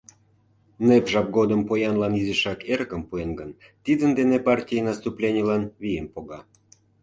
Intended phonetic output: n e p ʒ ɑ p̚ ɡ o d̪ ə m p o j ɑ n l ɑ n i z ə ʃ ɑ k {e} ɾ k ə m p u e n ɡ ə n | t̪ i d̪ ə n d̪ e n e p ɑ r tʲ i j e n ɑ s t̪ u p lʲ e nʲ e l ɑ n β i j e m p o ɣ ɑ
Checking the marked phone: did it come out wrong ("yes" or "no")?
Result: no